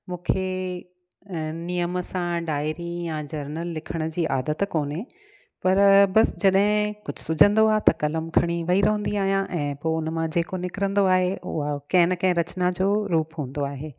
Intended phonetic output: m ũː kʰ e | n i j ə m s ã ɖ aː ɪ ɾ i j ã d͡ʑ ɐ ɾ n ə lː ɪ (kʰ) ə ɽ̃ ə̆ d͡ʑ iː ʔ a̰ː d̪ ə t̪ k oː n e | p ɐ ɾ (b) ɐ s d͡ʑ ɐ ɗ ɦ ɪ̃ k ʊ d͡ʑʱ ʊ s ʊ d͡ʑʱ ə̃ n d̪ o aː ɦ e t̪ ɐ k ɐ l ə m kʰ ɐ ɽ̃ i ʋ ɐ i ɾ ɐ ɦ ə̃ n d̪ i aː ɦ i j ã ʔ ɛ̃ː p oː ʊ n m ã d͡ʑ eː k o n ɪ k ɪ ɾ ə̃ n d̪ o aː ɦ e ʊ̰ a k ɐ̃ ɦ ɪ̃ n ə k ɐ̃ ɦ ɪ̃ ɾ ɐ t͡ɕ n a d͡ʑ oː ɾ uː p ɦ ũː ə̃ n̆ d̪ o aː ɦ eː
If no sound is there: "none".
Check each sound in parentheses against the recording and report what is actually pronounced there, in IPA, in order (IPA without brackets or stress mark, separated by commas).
kʰ, b